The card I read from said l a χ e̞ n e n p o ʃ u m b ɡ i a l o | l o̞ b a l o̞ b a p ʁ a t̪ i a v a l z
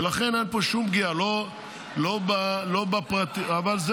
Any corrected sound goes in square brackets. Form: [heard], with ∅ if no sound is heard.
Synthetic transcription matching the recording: l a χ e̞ n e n p o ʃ u m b ɡ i a l o | l o̞ b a l o̞ b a p ʁ a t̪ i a v a l z